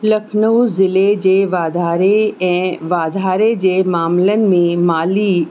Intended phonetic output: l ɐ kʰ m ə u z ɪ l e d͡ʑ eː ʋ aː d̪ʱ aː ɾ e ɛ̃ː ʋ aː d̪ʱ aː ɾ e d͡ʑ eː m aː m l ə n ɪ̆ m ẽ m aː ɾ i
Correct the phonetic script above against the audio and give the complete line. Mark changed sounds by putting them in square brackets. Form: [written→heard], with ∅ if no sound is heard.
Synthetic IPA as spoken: l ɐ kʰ [m→n] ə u z ɪ l e d͡ʑ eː ʋ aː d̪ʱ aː ɾ e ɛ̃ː ʋ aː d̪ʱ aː ɾ e d͡ʑ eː m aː m l ə n ɪ̆ m ẽ m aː [ɾ→l] i